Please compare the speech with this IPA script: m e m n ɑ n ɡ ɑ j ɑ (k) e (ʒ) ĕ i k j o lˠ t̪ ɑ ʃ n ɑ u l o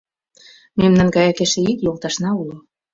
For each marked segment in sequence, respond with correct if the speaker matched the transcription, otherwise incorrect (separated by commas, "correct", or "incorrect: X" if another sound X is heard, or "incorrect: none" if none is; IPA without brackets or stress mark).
correct, incorrect: ʃ